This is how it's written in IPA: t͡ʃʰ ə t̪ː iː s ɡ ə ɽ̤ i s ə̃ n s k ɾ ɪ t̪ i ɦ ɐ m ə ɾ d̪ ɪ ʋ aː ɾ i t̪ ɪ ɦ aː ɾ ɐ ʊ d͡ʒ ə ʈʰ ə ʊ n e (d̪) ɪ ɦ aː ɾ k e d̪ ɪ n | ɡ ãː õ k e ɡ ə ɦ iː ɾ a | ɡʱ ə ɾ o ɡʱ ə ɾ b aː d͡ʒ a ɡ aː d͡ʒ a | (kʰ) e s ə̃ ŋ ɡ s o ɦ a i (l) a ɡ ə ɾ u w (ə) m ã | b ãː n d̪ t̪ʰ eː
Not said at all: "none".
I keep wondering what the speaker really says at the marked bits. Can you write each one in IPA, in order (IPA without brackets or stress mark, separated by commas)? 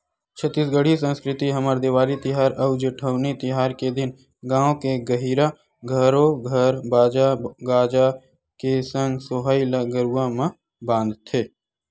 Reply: t̪, k, l, a